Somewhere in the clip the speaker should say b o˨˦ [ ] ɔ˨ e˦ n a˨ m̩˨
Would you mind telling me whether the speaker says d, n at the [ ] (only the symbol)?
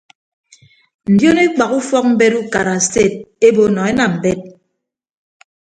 n